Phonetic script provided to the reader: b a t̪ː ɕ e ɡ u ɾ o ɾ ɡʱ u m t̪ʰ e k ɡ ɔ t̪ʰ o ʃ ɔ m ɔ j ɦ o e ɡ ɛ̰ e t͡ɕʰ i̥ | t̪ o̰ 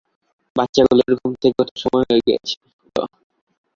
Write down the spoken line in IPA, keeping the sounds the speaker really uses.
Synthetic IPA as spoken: b a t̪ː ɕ a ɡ u l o ɾ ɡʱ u m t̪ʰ e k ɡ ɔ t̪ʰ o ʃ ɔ m ɔ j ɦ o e ɡ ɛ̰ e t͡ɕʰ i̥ | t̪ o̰